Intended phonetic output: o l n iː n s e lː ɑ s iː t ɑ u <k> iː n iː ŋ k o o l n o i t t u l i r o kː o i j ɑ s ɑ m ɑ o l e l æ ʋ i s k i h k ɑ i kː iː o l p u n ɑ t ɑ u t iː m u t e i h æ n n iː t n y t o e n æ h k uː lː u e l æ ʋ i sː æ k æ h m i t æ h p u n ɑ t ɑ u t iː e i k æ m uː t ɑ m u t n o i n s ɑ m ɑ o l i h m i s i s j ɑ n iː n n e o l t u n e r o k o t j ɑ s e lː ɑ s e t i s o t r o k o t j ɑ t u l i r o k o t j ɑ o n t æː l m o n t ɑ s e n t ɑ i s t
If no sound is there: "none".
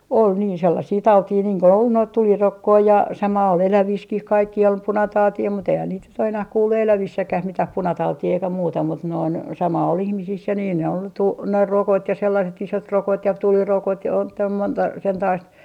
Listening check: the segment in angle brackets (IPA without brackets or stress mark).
t